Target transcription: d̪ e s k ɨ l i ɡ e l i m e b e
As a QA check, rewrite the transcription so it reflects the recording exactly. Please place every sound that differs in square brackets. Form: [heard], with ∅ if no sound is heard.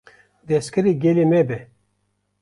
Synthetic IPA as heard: d̪ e s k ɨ [ɾ] i ɡ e l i m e b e